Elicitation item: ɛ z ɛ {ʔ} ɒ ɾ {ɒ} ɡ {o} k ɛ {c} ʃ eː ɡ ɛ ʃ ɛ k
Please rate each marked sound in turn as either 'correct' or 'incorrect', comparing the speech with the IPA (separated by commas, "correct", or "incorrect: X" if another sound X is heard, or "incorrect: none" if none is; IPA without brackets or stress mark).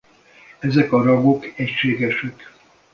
incorrect: k, correct, correct, correct